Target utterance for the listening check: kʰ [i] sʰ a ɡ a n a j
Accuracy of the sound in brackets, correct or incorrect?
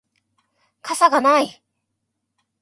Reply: incorrect